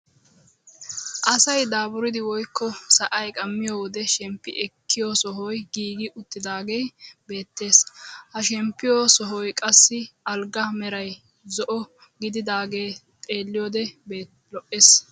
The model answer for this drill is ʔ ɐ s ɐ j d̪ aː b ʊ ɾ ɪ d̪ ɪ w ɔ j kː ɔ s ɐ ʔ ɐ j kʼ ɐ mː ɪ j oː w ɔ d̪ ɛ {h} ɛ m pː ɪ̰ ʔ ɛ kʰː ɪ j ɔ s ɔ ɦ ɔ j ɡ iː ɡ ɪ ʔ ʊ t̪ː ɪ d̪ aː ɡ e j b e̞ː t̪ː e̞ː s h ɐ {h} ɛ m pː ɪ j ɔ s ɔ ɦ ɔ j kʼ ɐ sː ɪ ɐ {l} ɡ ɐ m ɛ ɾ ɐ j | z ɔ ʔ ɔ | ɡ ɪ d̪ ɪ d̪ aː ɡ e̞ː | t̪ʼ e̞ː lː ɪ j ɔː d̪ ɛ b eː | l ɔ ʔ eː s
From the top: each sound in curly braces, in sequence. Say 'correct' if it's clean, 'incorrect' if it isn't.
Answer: incorrect: ʃ, incorrect: ʃ, correct

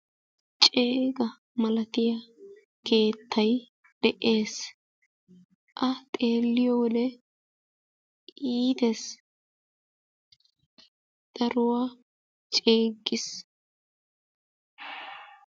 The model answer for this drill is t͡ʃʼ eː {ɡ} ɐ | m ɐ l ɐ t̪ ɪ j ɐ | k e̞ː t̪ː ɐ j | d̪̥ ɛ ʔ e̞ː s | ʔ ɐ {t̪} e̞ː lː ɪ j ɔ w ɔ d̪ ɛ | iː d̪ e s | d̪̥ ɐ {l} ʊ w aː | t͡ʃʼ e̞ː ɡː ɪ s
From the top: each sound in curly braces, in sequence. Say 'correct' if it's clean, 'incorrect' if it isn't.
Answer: correct, incorrect: t̪ʼ, incorrect: ɾ

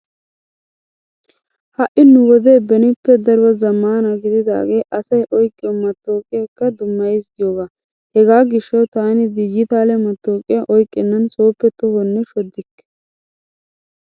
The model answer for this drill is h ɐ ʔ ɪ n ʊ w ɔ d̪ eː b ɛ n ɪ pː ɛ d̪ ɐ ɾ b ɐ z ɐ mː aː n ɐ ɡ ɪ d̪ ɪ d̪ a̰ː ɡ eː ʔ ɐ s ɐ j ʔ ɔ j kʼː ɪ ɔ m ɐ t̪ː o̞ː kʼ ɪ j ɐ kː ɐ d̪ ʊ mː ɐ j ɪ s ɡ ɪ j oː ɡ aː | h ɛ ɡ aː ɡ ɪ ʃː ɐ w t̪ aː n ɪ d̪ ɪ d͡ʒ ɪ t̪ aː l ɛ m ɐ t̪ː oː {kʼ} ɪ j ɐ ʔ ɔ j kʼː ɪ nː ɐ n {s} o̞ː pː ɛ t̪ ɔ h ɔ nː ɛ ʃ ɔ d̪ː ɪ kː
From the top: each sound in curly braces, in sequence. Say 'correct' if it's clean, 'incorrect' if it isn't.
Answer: correct, correct

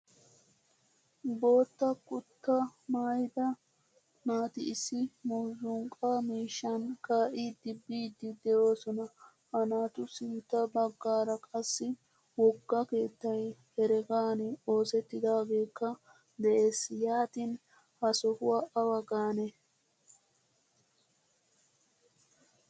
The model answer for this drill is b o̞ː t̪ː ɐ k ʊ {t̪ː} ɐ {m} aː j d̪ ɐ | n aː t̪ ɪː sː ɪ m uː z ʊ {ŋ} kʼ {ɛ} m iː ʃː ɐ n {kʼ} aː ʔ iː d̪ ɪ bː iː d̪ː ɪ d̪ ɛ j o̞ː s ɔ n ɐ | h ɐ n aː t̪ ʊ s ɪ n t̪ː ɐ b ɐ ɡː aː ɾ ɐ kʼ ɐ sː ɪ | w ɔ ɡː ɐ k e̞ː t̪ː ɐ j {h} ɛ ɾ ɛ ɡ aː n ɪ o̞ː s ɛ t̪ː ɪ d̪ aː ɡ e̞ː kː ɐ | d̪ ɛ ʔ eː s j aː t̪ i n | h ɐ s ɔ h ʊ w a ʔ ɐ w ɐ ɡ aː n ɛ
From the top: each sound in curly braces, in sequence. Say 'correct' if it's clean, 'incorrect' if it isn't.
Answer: correct, correct, correct, incorrect: a, incorrect: k, correct

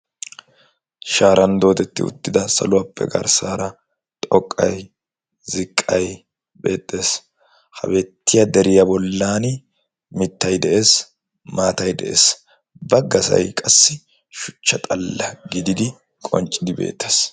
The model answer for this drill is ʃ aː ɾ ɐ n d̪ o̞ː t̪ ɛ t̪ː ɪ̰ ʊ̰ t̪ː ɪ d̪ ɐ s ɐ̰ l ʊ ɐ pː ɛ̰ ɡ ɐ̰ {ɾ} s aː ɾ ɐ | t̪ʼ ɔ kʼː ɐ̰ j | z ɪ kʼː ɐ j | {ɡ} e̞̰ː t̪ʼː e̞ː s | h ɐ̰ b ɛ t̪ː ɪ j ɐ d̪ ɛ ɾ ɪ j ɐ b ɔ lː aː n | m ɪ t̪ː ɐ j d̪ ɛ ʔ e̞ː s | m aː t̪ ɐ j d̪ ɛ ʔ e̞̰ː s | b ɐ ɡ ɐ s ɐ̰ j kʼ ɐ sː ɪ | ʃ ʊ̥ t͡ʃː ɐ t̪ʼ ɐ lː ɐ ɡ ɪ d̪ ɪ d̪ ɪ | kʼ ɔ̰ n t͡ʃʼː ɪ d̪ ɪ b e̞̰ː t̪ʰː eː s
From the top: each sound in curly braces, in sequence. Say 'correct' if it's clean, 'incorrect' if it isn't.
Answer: correct, incorrect: b

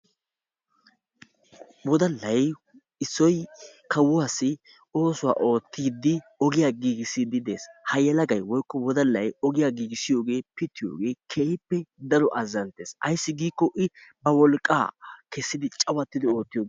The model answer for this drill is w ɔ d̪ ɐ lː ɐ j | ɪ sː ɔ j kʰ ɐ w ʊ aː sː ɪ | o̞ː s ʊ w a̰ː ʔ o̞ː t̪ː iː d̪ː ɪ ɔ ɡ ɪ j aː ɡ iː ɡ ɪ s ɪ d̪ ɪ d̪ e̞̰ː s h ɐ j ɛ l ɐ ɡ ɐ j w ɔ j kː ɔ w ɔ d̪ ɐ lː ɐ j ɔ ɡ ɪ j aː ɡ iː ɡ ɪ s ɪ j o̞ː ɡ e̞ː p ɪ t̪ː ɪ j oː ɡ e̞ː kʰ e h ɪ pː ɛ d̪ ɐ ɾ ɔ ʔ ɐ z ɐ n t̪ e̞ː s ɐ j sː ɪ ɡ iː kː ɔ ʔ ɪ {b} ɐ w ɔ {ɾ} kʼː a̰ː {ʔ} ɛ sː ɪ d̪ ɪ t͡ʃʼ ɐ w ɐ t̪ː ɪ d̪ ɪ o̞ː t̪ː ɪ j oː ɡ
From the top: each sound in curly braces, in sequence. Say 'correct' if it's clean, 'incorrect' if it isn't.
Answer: correct, incorrect: l, incorrect: k

